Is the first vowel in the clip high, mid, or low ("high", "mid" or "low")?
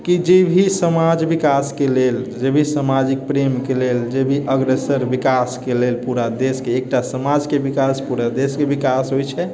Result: high